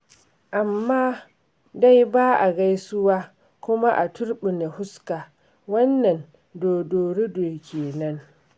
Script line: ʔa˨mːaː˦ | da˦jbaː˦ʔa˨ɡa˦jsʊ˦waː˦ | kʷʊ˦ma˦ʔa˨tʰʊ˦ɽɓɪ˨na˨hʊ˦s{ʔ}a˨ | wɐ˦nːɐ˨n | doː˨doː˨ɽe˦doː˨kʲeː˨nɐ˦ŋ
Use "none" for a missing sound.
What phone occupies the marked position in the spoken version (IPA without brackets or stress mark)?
k